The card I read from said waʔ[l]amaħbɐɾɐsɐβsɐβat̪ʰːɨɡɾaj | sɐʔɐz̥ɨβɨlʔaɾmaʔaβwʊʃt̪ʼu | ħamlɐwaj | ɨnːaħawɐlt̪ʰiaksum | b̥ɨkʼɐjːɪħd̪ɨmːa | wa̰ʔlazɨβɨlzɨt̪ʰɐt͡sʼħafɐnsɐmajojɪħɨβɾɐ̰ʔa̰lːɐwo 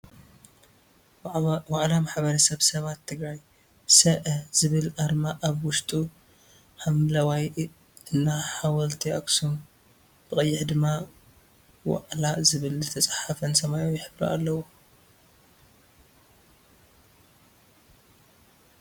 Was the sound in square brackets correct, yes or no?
yes